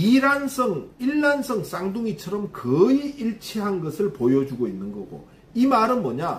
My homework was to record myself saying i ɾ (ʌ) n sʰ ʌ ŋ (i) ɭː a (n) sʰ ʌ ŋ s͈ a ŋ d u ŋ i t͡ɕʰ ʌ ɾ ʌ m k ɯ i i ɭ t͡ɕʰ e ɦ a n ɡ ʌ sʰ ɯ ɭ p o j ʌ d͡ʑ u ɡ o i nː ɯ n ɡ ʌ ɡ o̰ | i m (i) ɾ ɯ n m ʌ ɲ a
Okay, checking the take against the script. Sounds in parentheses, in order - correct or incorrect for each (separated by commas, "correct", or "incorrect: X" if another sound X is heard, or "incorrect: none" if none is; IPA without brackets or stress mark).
incorrect: a, correct, correct, incorrect: a